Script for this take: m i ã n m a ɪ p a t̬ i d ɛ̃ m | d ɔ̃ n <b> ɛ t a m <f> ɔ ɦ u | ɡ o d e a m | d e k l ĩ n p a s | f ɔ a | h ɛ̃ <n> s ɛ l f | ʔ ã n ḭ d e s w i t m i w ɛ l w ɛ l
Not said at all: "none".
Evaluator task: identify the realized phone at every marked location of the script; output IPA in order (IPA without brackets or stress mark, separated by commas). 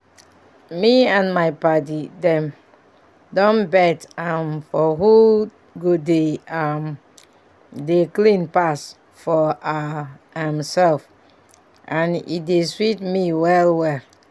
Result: b, f, m